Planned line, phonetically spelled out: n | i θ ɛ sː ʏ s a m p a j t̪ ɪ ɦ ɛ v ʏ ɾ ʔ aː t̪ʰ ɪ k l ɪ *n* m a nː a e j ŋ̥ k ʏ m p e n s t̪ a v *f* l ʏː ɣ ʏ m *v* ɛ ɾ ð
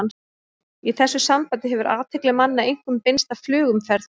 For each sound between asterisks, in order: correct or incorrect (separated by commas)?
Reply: incorrect, correct, incorrect